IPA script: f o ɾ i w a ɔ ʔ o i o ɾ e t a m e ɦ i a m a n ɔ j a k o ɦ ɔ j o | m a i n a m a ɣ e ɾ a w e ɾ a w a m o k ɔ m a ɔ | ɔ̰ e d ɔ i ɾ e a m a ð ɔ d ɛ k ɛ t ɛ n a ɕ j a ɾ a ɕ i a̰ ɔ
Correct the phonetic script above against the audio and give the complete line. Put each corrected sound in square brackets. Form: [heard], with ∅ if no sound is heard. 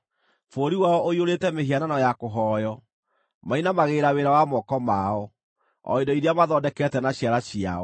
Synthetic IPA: f o ɾ i w a ɔ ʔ o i o ɾ e t [ɛ] m e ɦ i a [n] a n ɔ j a k o ɦ ɔ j [ɔ] | m a i n a m a ɣ e ɾ a w e ɾ a w a m [ɔ] k ɔ m a ɔ | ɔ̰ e d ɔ i ɾ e a m a ð ɔ d ɛ k ɛ t ɛ n a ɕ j a ɾ a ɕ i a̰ ɔ